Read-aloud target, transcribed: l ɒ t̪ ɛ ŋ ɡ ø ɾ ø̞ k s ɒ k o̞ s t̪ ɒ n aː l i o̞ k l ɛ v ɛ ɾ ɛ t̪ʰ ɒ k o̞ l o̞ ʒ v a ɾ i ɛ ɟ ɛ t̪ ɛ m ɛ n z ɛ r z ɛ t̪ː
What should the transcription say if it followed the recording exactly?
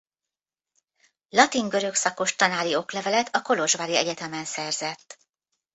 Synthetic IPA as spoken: l ɒ t̪ i ŋ ɡ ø ɾ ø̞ k s ɒ k o̞ ʃ t̪ ɒ n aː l i o̞ k l ɛ v ɛ l ɛ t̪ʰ ɒ k o̞ l o̞ ʒ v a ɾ i ɛ ɟ ɛ t̪ ɛ m ɛ n s ɛ r z ɛ t̪ː